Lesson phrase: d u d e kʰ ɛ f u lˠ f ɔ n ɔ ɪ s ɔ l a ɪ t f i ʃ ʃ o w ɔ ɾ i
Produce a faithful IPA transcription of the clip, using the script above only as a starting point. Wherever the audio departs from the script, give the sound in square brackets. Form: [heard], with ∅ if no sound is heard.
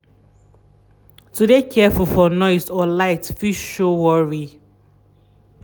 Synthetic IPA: [t] u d e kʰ ɛ f u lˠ f ɔ n ɔ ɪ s ɔ l a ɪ t f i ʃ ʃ o w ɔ [ɹ] i